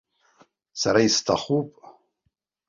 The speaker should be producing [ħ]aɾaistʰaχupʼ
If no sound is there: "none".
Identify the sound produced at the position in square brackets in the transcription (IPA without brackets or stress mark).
s